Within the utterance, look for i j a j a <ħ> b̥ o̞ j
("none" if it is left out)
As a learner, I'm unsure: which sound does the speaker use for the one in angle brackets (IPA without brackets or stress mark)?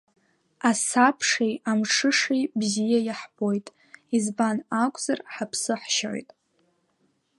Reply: ħ